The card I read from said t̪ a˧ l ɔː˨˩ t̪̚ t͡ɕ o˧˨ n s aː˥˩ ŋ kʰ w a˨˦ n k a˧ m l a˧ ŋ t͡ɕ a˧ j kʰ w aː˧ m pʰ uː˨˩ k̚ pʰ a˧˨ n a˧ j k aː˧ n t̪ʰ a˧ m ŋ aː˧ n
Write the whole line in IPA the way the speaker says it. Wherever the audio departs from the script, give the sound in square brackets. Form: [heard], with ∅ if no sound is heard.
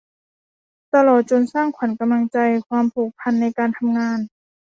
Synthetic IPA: t̪ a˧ l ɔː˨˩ t̪̚ t͡ɕ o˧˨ n s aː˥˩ ŋ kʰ w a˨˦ n k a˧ m l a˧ ŋ t͡ɕ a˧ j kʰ w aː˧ m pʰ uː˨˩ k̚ pʰ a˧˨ [nː] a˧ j k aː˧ n t̪ʰ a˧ m ŋ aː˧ n